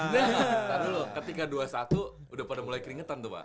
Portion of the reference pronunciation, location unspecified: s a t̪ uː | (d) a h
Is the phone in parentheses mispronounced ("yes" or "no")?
no